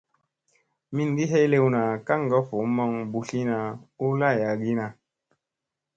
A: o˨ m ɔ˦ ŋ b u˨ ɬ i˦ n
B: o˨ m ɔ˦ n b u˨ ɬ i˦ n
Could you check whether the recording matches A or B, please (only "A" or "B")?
A